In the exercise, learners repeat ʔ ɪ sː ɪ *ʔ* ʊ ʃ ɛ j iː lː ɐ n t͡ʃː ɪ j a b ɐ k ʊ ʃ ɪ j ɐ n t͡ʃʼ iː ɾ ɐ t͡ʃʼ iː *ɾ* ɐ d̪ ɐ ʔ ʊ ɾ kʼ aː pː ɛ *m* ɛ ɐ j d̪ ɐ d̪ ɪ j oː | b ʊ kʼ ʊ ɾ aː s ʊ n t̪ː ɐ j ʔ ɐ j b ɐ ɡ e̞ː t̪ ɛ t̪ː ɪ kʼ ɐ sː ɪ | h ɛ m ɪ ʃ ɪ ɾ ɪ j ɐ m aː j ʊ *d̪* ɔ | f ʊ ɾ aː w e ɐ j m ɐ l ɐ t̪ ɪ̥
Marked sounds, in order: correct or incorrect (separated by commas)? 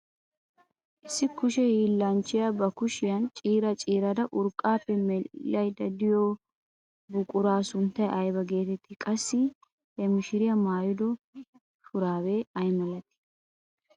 incorrect, correct, correct, correct